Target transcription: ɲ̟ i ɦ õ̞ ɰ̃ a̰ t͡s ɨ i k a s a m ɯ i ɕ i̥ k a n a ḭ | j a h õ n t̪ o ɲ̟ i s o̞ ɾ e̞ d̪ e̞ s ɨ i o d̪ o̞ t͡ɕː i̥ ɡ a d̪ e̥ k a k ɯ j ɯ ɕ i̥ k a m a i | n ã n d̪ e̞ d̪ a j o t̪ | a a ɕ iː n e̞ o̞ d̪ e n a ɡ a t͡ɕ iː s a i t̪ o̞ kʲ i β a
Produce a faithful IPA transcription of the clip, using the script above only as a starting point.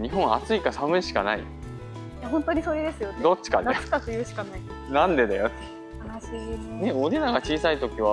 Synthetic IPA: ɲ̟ i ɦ õ̞ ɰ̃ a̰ t͡s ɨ i k a s a m ɯ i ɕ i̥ k a n a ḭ | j a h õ n t̪ o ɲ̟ i s o̞ ɾ e̞ d̪ e̞ s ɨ j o d̪ o̞ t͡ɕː i̥ k a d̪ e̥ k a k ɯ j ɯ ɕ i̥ k a n a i | n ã n d̪ e̞ d̪ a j o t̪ | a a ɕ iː n e̞ o̞ d̪ e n a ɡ a t͡ɕ iː s a i t̪ o̞ kʲ i β a